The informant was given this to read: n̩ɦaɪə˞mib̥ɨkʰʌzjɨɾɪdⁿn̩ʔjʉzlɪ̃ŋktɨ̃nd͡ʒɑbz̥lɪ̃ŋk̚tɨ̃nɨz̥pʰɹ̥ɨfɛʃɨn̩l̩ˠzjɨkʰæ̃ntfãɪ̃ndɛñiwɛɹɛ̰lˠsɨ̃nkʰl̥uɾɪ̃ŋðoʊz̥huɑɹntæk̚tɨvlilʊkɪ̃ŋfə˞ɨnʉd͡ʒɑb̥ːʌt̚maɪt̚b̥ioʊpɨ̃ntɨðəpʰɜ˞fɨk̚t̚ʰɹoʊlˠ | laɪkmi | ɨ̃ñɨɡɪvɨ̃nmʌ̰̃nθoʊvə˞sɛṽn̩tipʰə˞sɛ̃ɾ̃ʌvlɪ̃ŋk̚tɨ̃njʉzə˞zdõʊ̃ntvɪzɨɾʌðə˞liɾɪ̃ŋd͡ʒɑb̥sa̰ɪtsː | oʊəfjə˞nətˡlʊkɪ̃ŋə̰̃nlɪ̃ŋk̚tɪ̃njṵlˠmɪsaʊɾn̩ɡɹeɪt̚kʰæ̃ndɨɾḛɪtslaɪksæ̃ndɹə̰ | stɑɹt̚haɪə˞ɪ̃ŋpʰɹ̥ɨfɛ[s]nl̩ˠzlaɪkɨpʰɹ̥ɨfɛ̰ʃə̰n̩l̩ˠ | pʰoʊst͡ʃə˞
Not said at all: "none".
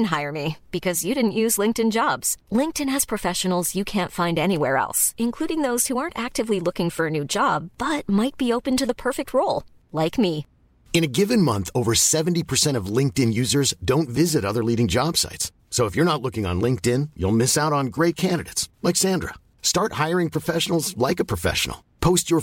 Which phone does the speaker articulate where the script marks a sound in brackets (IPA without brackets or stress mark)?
ʃ